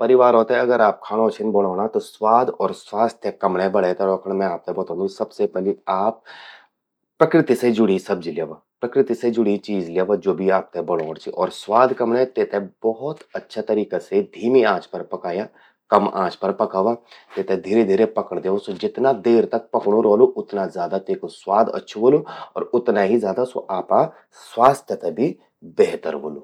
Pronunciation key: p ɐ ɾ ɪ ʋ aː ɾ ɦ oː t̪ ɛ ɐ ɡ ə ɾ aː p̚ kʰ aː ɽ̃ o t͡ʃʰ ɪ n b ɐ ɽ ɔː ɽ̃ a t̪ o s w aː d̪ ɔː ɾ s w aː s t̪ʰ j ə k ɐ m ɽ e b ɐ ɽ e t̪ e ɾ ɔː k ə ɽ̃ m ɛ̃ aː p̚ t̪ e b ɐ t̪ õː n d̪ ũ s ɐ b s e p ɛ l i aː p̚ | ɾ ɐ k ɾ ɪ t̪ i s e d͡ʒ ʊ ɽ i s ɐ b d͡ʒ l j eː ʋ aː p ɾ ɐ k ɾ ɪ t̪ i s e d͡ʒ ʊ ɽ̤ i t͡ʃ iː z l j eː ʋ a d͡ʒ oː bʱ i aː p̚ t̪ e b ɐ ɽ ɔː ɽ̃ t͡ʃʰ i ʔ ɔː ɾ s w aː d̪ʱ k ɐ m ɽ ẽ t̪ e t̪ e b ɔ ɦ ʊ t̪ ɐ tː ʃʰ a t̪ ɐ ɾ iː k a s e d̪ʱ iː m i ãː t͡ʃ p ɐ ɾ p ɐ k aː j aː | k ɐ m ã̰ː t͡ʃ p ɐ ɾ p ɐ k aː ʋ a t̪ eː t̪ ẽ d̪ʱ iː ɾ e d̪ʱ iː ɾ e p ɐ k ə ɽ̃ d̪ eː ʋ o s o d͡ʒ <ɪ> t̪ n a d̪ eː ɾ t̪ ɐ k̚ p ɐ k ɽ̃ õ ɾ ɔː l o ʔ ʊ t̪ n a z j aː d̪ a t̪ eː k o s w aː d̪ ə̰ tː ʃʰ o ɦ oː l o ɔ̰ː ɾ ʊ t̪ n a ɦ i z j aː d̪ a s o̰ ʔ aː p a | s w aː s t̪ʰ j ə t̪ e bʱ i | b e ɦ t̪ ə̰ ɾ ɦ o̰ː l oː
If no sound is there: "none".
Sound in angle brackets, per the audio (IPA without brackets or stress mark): ɪ